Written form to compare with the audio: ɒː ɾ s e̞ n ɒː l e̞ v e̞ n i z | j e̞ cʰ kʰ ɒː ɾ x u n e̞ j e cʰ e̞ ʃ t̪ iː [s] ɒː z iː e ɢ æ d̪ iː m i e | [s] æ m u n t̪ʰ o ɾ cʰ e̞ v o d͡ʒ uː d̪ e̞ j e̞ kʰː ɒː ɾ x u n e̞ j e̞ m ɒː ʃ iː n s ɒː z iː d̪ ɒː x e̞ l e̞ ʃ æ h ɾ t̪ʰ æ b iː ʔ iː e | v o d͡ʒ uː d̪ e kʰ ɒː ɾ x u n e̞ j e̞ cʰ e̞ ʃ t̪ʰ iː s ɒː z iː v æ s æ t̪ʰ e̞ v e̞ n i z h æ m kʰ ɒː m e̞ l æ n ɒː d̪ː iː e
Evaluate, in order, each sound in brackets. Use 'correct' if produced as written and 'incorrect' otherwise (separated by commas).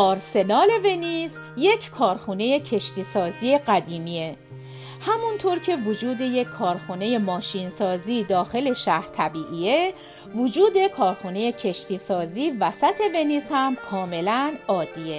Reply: correct, incorrect